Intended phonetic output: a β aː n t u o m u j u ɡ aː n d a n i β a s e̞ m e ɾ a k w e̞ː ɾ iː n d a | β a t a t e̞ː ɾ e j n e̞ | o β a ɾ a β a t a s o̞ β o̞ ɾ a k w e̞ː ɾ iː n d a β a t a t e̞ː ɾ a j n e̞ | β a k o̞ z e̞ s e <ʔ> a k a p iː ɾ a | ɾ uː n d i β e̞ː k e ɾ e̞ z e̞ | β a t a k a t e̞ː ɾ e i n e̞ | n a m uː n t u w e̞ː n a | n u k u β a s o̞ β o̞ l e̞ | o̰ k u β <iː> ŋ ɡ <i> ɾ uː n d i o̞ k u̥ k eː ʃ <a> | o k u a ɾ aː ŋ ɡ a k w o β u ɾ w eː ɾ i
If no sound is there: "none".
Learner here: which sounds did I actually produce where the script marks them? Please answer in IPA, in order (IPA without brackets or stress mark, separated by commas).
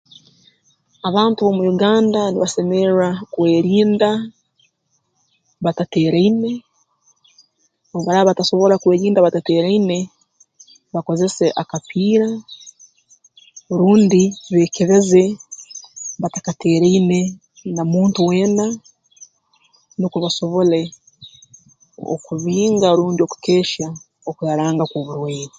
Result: ʔ, iː, a, a